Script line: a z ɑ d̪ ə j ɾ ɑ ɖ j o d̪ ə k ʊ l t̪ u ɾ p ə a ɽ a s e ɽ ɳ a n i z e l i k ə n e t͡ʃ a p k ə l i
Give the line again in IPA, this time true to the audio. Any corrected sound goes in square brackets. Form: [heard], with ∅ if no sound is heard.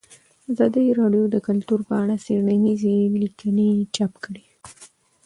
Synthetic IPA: a z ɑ d̪ ə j ɾ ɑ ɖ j o d̪ ə k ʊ l t̪ u ɾ p ə a ɽ a s e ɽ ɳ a n i z e l i k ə n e t͡ʃ a p k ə [ɽ] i

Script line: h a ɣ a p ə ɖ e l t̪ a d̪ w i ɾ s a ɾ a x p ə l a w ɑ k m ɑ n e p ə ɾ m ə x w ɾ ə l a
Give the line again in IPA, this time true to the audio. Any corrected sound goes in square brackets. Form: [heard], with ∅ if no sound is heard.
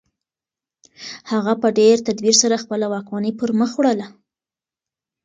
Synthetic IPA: h a ɣ a p ə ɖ e [ɾ] t̪ a d̪ w i ɾ s a ɾ a x p ə l a w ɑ k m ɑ n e p ə ɾ m ə x w [ɽ] ə l a

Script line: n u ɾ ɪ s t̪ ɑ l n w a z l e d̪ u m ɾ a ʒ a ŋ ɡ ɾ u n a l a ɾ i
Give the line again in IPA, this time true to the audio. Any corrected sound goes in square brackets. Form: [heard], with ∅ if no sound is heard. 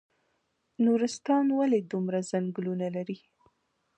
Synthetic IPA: n u ɾ ɪ s t̪ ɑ [∅] n w a [∅] l e d̪ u m ɾ a [z] a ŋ ɡ [l] u n a l a ɾ i

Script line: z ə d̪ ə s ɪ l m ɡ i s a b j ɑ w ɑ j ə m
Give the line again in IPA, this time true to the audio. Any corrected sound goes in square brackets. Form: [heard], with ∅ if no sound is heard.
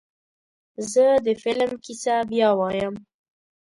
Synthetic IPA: z ə d̪ ə [f] ɪ l m [k] i s a b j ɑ w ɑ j ə m

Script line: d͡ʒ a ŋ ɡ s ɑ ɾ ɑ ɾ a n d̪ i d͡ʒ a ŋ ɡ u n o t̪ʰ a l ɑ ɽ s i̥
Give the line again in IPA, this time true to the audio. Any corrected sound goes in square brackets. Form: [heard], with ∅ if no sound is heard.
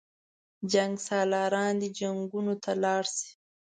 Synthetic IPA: d͡ʒ a ŋ ɡ s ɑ [l] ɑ ɾ [ɑ] n d̪ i d͡ʒ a ŋ ɡ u n o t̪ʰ a l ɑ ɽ s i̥

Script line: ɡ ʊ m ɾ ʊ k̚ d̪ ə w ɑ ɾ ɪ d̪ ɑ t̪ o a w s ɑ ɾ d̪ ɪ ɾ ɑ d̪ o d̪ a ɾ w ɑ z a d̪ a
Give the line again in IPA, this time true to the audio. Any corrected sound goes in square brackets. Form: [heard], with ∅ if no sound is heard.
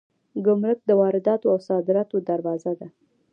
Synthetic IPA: ɡ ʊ m ɾ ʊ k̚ d̪ ə w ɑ ɾ ɪ d̪ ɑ t̪ o a w s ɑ [∅] d̪ ɪ ɾ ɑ [t̪] o d̪ a ɾ w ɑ z a d̪ a

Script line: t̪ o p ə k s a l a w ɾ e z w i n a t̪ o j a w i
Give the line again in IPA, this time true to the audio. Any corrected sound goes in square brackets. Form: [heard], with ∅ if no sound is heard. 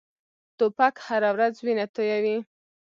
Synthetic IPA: t̪ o p [a] k [h] a [ɾ] a w ɾ [a] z w i n a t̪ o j a w i

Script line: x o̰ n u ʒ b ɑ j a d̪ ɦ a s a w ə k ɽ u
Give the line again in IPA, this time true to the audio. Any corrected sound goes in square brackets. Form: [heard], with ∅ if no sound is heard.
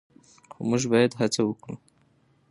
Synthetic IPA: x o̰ [m] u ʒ b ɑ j a d̪ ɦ a [t͡s] a w ə k ɽ u

